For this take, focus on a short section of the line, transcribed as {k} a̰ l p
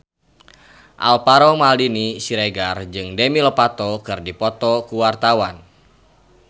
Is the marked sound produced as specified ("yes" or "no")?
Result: no